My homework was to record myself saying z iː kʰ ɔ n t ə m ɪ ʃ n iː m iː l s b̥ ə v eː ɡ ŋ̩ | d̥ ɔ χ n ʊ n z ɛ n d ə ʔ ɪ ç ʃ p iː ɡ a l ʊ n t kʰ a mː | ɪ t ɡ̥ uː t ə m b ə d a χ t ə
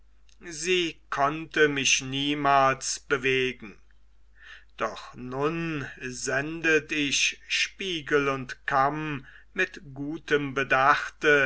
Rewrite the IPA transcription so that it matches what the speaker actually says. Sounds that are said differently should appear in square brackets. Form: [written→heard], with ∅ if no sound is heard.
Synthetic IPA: z iː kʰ ɔ n t ə m ɪ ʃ n iː m [iː→aː] l s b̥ ə v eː ɡ ŋ̩ | d̥ ɔ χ n ʊ n z ɛ n d ə [ʔ→t] ɪ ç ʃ p iː ɡ [a→ə] l ʊ n t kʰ a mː | ɪ t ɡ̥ uː t ə m b ə d a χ t ə

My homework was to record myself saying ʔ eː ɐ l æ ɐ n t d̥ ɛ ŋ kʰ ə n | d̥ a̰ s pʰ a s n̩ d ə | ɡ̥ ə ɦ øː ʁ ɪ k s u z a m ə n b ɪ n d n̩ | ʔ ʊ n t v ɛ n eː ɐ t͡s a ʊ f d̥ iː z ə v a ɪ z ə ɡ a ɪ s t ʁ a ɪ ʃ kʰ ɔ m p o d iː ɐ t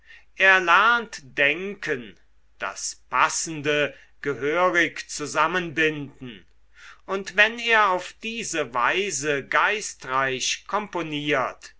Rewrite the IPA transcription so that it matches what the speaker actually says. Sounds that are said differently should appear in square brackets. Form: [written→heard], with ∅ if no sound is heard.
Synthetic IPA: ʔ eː ɐ l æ ɐ n t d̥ ɛ ŋ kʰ ə n | d̥ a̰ s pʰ a s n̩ d ə | ɡ̥ ə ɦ øː ʁ ɪ k [s→t͡s] u z a m ə n b ɪ n d n̩ | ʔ ʊ n t v ɛ n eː ɐ [t͡s→∅] a ʊ f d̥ iː z ə v a ɪ z ə ɡ a ɪ s t ʁ a ɪ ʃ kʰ ɔ m p o [d→n] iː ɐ t

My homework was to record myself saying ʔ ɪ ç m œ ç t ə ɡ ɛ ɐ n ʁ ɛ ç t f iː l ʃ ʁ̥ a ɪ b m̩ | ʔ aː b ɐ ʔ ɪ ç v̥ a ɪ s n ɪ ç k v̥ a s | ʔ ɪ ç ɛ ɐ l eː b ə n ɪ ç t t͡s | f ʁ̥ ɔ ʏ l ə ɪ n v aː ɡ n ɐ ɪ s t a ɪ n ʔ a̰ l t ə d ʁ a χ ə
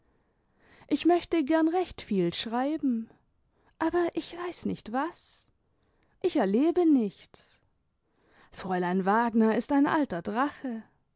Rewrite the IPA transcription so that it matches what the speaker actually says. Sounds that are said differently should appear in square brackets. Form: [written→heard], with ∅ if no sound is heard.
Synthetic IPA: ʔ ɪ ç m œ ç t ə ɡ ɛ ɐ n ʁ ɛ ç t f iː l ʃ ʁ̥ a ɪ b m̩ | ʔ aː b ɐ ʔ ɪ ç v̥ a ɪ s n ɪ ç [k→t] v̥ a s | ʔ ɪ ç ɛ ɐ l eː b ə n ɪ ç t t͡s | f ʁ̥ ɔ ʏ l [ə→a] ɪ n v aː ɡ n ɐ ɪ s t a ɪ n ʔ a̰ l t [ə→ɐ] d ʁ a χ ə

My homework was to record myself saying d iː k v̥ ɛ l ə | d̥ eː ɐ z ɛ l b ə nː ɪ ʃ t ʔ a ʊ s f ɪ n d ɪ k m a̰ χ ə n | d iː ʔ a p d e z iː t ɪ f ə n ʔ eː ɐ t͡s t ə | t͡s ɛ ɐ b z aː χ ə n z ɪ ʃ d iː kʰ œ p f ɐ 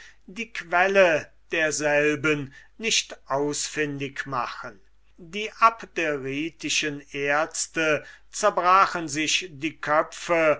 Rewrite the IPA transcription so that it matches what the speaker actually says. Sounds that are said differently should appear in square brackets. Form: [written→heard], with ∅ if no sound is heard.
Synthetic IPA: d iː k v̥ ɛ l ə | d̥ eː ɐ z ɛ l b ə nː ɪ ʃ t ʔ a ʊ s f ɪ n d ɪ k m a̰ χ ə n | d iː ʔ a p d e [z→ʁ] iː t ɪ [f→ʃ] ə n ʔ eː ɐ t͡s t ə | t͡s ɛ ɐ b [z→ʁ] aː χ ə n z ɪ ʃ d iː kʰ œ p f [ɐ→ə]

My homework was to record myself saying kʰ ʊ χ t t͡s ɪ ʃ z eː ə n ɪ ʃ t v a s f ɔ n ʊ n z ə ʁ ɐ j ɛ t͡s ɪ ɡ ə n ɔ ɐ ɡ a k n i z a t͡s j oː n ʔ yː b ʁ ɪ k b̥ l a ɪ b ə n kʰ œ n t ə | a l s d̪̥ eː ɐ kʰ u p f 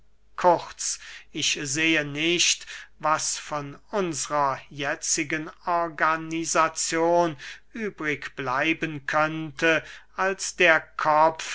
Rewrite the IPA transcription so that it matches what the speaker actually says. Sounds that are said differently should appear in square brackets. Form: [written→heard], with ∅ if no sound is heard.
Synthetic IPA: kʰ ʊ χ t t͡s ɪ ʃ z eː ə n ɪ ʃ t v a s f ɔ n ʊ n z ə ʁ ɐ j ɛ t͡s ɪ ɡ ə n ɔ ɐ ɡ a [k→∅] n i z a t͡s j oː n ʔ yː b ʁ ɪ k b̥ l a ɪ b ə n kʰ œ n t ə | a l s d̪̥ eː ɐ kʰ [u→ɔ] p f

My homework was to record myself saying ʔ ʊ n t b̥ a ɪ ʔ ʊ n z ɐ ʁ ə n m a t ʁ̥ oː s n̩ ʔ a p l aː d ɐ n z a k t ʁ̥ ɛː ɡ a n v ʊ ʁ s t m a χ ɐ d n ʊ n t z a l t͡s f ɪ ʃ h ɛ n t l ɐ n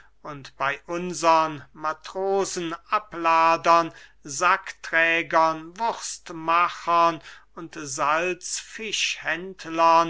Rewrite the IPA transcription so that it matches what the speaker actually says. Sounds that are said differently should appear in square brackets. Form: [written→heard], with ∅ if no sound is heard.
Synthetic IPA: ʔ ʊ n t b̥ a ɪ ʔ ʊ n z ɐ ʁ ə n m a t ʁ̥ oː [s→z] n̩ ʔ a p l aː d ɐ n z a k t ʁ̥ ɛː ɡ [a→ɐ] n v ʊ ʁ s t m a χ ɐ [d→∅] n ʊ n t z a l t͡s f ɪ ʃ h ɛ n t l ɐ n

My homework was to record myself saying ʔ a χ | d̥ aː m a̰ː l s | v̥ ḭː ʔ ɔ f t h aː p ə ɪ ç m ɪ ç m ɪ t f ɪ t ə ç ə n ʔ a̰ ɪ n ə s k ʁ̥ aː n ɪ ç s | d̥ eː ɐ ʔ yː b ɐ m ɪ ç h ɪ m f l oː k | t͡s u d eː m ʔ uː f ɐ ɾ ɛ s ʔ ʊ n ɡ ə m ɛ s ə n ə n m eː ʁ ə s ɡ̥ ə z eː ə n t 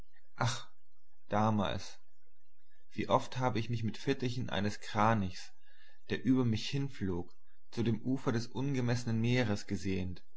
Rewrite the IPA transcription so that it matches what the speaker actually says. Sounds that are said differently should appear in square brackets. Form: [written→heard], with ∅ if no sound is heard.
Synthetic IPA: ʔ a χ | d̥ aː m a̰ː l s | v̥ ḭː ʔ ɔ f t h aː [p→b] ə ɪ ç m ɪ ç m ɪ t f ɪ t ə ç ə n ʔ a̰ ɪ n ə s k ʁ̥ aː n ɪ ç s | d̥ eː ɐ ʔ yː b ɐ m ɪ ç h ɪ [m→n] f l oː k | t͡s u d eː m ʔ uː f ɐ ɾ ɛ s ʔ ʊ n ɡ ə m ɛ s ə n ə n m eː ʁ ə s ɡ̥ ə z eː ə n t

